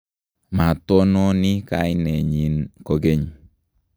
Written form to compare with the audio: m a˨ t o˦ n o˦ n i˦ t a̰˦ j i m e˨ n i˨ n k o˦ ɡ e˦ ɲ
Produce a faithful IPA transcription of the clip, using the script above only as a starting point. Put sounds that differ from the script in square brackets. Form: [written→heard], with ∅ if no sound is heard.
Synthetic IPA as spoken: m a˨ t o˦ n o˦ n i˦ [t→k] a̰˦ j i [m→n] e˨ [n→ɲ] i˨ n k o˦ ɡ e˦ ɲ